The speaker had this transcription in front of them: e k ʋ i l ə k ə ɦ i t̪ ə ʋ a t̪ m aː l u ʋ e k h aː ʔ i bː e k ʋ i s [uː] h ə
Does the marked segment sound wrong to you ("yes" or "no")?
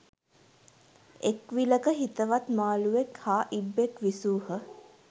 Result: no